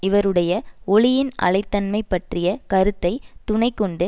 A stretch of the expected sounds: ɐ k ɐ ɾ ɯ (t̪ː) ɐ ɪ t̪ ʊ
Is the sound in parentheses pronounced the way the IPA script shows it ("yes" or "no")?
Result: yes